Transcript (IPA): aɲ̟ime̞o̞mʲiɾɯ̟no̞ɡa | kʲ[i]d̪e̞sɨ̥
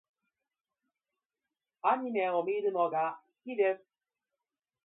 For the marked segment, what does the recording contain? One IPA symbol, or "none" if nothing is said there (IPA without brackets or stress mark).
i